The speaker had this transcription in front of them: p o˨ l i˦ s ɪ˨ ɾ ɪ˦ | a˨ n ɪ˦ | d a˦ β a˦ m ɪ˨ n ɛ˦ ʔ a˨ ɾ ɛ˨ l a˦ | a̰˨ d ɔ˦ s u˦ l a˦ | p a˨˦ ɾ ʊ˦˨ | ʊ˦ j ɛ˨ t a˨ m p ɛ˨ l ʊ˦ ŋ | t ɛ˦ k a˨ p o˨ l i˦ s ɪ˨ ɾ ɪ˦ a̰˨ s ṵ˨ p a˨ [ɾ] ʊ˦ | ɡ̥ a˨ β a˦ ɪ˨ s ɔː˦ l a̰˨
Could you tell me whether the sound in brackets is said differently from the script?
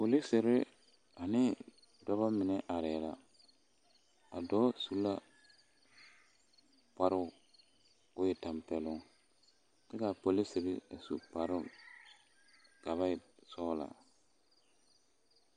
no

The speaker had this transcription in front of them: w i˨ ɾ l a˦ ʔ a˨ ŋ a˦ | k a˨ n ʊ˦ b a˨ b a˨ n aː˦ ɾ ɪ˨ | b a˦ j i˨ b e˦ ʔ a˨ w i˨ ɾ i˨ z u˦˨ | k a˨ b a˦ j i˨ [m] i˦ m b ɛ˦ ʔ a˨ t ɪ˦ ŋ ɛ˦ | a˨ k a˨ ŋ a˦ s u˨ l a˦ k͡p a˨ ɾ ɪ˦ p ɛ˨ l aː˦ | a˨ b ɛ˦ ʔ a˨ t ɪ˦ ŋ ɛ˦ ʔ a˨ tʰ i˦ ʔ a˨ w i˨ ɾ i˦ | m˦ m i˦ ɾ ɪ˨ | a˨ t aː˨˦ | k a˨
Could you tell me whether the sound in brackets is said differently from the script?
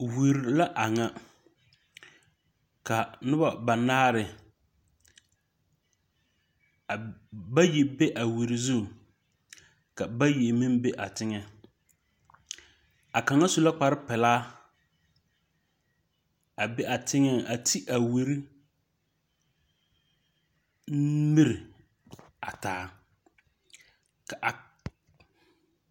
no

